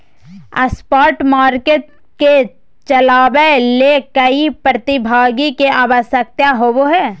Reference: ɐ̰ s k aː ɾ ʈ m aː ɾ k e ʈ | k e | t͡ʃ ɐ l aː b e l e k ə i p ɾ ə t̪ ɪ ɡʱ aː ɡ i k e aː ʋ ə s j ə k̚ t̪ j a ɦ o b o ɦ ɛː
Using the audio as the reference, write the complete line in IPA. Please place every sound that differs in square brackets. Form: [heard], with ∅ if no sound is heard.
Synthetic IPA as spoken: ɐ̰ s [p] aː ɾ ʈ m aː ɾ k e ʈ | k e | t͡ʃ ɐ l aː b e l e k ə i p ɾ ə t̪ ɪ [bʱ] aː ɡ i k e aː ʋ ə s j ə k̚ t̪ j a ɦ o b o ɦ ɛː